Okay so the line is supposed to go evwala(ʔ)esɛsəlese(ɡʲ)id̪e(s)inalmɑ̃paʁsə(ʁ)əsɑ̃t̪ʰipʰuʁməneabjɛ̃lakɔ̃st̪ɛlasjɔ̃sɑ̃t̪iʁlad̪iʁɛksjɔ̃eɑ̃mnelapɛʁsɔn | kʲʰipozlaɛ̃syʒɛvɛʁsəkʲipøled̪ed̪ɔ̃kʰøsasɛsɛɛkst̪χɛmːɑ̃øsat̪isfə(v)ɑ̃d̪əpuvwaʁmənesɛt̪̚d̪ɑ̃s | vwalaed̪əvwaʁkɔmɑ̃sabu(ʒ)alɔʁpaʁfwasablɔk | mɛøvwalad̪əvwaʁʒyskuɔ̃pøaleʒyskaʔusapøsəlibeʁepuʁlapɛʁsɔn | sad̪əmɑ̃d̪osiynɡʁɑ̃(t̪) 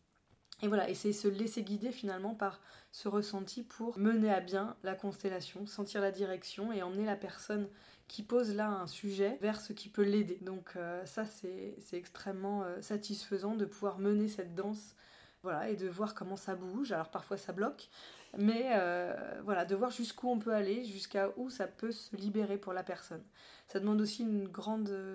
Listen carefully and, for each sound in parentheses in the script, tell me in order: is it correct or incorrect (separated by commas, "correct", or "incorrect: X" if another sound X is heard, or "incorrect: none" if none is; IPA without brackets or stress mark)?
correct, correct, incorrect: f, correct, incorrect: z, correct, incorrect: d̪